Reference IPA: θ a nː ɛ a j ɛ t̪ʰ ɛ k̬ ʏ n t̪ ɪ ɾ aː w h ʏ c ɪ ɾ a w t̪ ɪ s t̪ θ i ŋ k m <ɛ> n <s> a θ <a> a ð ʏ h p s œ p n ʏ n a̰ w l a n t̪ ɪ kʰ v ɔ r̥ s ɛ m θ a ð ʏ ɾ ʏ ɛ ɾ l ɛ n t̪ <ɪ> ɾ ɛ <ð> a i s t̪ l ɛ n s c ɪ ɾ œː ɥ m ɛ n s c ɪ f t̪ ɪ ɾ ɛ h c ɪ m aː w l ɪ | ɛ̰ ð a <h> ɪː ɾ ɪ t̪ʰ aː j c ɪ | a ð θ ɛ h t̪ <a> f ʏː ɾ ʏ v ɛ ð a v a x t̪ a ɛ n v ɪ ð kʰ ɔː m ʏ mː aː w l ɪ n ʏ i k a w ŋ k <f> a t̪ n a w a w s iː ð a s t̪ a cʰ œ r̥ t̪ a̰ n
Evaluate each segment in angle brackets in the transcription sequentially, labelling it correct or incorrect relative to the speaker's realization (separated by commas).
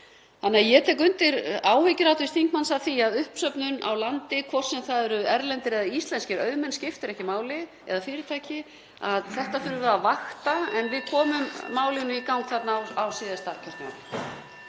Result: incorrect, correct, incorrect, correct, correct, incorrect, correct, incorrect